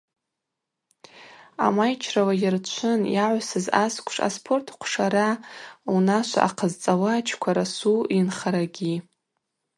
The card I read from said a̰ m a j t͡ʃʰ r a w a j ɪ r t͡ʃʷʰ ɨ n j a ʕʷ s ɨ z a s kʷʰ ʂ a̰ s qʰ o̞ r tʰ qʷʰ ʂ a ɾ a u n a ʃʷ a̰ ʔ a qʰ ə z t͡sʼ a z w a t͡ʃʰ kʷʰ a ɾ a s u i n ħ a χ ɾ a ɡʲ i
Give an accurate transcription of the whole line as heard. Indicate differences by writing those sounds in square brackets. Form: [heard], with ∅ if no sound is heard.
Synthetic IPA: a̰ m a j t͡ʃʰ r a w a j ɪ r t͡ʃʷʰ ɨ n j a ʕʷ s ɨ z a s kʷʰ ʂ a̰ s [pʰ] o̞ r tʰ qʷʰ ʂ a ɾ a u n a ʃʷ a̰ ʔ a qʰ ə z t͡sʼ a [∅] w a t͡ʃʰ kʷʰ a ɾ a s u i n [χ] a [∅] ɾ a ɡʲ i